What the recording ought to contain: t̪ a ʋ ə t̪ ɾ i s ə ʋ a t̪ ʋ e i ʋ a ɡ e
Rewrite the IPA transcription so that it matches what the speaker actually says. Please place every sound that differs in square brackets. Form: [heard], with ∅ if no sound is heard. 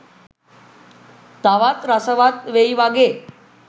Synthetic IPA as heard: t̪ a ʋ [a] t̪ ɾ [a] s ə ʋ a t̪ ʋ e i ʋ a ɡ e